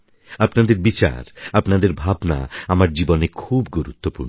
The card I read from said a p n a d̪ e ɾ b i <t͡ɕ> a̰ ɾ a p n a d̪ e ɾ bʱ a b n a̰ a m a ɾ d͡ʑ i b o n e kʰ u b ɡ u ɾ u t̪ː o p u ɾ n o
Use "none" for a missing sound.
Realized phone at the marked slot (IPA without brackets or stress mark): t͡ɕ